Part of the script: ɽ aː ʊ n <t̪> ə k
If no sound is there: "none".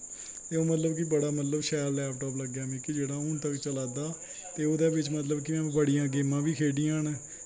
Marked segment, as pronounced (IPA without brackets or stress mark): t̪